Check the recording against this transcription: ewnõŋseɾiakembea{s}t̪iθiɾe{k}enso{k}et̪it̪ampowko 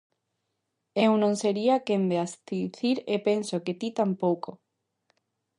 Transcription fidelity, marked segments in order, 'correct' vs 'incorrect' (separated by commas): correct, incorrect, correct